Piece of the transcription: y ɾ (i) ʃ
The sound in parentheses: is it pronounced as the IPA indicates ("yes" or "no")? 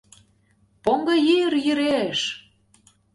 no